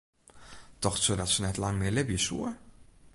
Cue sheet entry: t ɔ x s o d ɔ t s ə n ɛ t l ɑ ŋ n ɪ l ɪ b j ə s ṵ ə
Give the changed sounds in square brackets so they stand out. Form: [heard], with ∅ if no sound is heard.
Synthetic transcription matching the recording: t ɔ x s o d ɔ t s ə n ɛ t l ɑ ŋ [m] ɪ l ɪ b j ə s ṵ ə